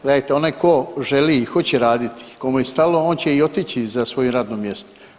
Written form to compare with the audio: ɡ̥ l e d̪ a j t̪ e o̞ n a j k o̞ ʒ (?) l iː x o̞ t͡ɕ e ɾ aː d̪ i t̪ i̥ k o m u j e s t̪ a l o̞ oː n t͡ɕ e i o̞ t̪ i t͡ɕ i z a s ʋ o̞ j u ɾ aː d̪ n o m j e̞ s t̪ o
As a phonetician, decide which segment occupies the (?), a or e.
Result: e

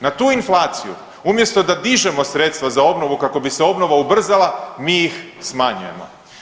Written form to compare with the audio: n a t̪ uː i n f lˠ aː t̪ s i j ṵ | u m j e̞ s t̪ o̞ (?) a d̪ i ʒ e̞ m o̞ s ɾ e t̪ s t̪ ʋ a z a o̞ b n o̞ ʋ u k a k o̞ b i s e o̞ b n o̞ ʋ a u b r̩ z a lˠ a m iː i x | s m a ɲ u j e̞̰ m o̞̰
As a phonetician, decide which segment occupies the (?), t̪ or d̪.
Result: d̪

